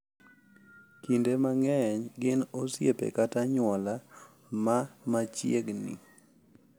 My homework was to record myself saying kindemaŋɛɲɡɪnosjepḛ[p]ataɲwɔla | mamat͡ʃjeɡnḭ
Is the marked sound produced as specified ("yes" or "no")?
no